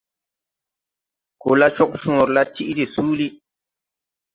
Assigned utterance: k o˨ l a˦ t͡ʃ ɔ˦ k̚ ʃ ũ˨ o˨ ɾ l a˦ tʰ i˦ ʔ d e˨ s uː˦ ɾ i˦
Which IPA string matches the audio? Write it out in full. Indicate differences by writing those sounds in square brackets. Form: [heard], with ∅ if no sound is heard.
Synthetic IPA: k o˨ l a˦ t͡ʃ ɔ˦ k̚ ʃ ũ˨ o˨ ɾ l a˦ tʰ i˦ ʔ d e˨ s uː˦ [l] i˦